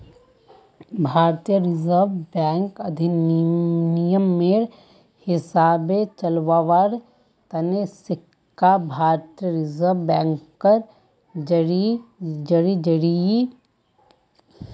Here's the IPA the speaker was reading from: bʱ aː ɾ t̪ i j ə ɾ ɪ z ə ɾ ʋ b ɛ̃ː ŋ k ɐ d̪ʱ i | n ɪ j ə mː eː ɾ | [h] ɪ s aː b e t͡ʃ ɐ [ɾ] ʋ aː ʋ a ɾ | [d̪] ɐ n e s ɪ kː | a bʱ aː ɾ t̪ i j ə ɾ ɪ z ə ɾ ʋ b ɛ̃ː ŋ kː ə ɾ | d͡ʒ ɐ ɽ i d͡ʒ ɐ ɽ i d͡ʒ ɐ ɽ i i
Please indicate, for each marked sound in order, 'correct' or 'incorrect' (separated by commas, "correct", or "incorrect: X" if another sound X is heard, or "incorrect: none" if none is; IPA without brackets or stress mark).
correct, incorrect: l, incorrect: t̪